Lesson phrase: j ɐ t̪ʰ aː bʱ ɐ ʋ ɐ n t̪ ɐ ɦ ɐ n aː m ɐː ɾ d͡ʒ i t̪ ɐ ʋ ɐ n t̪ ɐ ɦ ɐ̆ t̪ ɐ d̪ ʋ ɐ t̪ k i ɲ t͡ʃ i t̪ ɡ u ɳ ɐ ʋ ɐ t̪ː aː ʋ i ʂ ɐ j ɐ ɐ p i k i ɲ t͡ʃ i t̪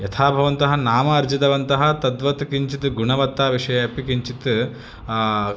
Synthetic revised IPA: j ɐ t̪ʰ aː bʱ ɐ ʋ ɐ n t̪ ɐ ɦ ɐ n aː m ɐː ɾ d͡ʒ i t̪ ɐ ʋ ɐ n t̪ ɐ ɦ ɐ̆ t̪ ɐ d̪ ʋ ɐ t̪ k i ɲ t͡ʃ i t̪ ɡ u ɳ ɐ ʋ ɐ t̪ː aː ʋ i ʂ ɐ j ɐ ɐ p i k i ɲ t͡ʃ i t̪